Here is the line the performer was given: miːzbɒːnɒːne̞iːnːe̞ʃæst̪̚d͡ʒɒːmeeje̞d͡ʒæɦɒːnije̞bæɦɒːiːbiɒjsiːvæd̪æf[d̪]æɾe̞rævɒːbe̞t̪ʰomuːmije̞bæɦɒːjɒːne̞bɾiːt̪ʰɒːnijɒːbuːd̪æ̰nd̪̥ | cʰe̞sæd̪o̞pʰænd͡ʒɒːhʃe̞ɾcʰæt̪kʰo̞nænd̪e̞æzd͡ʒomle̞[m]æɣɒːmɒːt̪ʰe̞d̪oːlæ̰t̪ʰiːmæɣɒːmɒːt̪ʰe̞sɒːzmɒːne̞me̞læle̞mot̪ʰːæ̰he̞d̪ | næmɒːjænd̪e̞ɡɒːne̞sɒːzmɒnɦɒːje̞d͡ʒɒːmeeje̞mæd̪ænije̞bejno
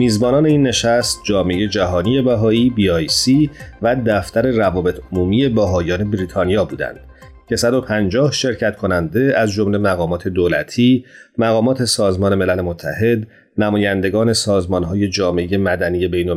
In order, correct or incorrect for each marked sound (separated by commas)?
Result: incorrect, correct